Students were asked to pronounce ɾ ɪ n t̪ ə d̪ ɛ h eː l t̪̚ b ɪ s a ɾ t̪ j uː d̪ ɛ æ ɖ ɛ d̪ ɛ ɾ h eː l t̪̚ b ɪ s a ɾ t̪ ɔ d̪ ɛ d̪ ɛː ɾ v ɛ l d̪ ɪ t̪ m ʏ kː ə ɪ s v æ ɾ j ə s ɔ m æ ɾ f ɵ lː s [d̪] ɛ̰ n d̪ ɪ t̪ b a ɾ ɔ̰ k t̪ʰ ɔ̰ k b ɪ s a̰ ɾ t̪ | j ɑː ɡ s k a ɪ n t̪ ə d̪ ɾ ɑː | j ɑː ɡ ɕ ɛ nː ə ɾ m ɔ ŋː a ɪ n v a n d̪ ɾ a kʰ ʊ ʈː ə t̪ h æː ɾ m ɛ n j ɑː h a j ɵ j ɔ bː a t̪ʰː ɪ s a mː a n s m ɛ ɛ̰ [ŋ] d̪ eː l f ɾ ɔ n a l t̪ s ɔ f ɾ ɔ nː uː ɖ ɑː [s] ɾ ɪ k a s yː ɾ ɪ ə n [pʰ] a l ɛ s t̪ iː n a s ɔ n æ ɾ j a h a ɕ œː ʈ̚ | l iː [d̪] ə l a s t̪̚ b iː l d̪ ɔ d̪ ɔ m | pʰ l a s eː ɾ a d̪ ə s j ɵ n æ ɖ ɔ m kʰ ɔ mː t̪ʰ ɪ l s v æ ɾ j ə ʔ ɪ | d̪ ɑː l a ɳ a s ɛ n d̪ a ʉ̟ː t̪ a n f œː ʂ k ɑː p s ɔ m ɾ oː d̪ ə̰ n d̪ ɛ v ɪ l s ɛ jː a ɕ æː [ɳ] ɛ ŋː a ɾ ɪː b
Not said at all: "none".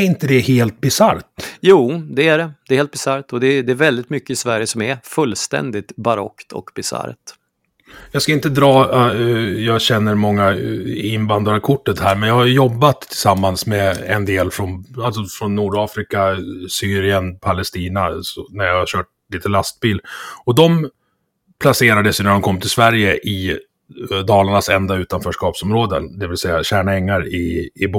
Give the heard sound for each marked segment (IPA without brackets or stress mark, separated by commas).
t̪, n, f, pʰ, t̪, ɳ